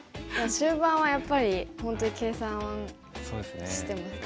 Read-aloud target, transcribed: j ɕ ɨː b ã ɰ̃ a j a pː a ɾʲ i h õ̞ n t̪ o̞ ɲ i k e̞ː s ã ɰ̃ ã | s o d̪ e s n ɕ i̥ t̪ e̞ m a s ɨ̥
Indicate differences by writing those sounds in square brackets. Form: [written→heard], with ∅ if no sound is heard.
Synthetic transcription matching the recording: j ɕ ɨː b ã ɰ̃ a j a pː a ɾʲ i h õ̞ n t̪ o̞ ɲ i k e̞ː s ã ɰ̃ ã | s o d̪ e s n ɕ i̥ t̪ e̞ m a s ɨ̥